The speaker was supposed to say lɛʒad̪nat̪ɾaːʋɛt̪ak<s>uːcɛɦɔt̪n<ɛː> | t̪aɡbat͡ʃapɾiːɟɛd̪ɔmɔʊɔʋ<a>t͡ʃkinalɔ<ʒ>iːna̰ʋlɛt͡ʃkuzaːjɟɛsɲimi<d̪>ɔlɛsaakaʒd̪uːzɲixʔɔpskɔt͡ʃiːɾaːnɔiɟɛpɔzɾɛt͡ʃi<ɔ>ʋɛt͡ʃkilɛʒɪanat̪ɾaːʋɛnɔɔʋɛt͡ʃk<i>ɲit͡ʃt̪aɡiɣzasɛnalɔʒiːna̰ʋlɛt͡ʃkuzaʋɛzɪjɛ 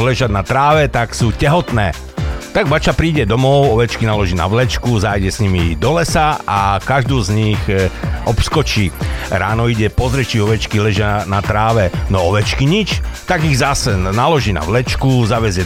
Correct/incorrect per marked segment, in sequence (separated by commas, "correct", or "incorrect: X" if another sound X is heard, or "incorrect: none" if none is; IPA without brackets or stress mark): correct, correct, incorrect: ɛ, correct, correct, correct, correct